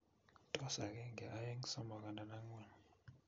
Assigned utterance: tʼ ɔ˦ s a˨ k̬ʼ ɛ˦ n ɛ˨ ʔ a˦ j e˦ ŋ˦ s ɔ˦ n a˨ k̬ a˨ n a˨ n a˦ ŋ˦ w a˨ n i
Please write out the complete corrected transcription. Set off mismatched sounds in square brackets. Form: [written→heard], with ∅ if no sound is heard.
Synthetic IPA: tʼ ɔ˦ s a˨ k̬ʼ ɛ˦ [n→ŋ] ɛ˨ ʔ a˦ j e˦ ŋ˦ s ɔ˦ [n→m] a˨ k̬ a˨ n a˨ n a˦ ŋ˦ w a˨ n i